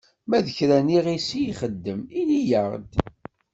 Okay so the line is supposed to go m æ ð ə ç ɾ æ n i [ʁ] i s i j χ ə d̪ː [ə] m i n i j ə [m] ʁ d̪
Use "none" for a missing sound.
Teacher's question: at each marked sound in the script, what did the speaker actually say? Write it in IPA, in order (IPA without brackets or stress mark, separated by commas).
ʁ, ə, none